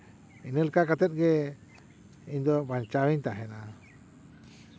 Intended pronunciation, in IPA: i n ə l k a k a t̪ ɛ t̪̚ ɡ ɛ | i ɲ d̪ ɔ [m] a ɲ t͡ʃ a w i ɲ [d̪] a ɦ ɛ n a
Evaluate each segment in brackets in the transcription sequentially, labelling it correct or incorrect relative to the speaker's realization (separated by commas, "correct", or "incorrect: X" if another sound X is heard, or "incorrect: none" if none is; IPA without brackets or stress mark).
incorrect: b, incorrect: t̪